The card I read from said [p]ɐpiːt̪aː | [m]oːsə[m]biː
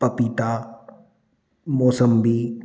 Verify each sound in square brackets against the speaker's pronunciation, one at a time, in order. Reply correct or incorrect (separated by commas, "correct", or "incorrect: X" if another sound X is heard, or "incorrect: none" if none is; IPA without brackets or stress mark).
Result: correct, correct, correct